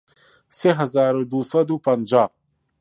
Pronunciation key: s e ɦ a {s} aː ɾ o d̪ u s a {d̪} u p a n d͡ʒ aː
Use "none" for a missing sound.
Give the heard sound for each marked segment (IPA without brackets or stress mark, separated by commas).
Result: z, d̪